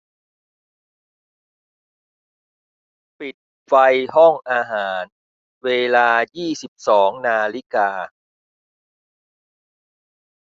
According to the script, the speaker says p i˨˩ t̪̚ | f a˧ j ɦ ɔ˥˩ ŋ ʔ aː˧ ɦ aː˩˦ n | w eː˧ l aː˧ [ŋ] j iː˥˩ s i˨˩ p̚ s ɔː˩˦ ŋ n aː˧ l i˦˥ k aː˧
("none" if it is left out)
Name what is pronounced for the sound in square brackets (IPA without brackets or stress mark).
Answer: none